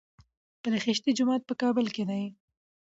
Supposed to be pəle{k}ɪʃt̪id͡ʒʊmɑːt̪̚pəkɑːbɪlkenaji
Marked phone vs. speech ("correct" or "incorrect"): incorrect